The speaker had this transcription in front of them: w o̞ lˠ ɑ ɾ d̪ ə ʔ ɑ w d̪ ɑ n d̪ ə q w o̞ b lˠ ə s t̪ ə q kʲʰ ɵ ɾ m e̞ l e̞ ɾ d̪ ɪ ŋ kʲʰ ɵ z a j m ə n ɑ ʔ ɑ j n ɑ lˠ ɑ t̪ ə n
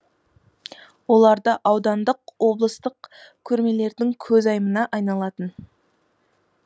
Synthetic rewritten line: w o̞ lˠ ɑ ɾ d̪ ə ʔ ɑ w d̪ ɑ n d̪ ə q w o̞ b lˠ ə s t̪ ə q kʲʰ ɵ ɾ m e̞ l e̞ ɾ d̪ ɪ ŋ kʲʰ ɵ z ɑ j m ə n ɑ ʔ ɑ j n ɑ lˠ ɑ t̪ ə n